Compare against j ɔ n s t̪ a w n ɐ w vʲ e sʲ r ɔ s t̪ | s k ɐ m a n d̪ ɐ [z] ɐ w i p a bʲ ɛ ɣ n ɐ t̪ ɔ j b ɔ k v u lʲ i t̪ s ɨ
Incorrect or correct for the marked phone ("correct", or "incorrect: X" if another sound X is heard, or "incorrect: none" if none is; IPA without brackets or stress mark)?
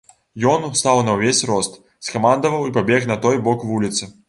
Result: incorrect: v